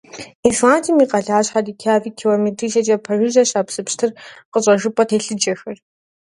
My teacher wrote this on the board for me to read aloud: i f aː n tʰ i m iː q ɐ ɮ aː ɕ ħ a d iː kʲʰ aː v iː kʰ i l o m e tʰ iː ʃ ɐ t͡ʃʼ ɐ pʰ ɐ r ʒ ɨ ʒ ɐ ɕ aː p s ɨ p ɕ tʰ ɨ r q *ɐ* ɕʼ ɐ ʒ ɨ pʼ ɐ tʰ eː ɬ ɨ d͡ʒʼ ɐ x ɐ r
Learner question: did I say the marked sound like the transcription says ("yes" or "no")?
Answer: no